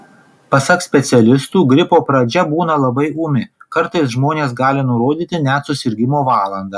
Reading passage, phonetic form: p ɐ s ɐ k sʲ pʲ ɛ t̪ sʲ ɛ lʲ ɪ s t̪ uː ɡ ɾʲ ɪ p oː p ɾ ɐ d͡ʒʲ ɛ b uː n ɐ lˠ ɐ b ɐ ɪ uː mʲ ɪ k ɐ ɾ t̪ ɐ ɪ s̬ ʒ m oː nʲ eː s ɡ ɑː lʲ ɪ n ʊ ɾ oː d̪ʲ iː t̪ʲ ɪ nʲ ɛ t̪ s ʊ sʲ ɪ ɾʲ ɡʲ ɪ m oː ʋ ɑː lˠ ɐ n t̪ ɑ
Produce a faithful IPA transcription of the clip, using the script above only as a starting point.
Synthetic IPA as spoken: p ɐ s ɐ k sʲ pʲ ɛ t̪ sʲ ɛ lʲ ɪ s t̪ uː ɡ ɾʲ ɪ p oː p ɾ ɐ d͡ʒʲ ɛ b uː n ɐ lˠ ɐ b ɐ ɪ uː mʲ ɪ k ɐ ɾ t̪ ɐ ɪ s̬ ʒ m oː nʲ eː s ɡ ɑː lʲ ɪ n ʊ ɾ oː d̪ʲ iː t̪ʲ ɪ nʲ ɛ t̪ s ʊ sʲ ɪ ɾʲ ɡʲ ɪ m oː ʋ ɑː lˠ ɐ n d̪ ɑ